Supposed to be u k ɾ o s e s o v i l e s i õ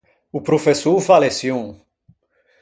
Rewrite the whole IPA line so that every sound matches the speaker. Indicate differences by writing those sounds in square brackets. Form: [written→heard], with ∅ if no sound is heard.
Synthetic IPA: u [k→p] ɾ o [s→f] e s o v [i→a] l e s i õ